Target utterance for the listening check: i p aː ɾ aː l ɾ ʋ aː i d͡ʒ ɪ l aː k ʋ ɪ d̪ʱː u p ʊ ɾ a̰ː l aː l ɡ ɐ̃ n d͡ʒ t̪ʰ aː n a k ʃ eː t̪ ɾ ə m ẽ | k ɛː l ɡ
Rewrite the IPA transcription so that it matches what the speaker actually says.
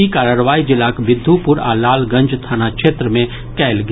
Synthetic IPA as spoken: i k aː ɾ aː ɾ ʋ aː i d͡ʒ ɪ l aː k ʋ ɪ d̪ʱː u p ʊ ɾ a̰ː l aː l ɡ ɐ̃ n d͡ʒ t̪ʰ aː n a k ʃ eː t̪ ɾ ə m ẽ | k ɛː l ɡ